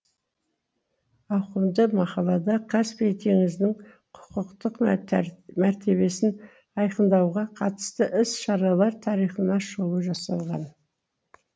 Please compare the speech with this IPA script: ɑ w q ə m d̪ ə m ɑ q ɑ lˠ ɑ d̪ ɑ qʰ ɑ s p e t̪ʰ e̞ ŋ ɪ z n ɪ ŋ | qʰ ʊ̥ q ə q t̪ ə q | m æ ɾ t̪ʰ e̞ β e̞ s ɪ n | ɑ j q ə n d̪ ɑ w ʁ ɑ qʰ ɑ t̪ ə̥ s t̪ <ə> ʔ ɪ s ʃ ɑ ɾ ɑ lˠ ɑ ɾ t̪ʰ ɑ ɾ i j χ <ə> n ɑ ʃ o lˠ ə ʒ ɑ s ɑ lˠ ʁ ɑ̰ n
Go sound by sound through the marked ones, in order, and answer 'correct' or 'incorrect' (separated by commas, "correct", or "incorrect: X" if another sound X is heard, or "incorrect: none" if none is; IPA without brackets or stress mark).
correct, correct